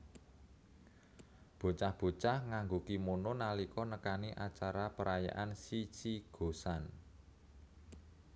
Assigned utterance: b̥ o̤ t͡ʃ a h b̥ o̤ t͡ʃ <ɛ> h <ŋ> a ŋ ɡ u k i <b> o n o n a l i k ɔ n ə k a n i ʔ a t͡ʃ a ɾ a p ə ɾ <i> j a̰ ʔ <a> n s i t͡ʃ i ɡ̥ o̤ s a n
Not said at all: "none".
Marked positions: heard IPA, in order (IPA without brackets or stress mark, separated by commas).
a, ŋ, m, a, a